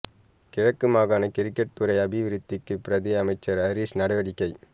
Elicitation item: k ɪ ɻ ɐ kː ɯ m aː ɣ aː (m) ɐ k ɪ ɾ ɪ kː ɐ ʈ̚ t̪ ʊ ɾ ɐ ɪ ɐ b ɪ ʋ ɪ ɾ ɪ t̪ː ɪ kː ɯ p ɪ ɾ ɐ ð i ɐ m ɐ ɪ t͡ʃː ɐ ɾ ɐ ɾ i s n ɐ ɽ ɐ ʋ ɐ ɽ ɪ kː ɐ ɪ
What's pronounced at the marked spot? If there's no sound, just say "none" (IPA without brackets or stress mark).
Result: n